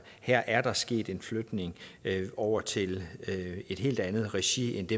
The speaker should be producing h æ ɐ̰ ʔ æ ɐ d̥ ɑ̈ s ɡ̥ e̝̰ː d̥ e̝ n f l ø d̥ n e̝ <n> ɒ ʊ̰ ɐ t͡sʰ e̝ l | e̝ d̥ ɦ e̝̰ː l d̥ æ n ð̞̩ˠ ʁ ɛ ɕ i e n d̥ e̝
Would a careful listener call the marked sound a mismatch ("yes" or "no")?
yes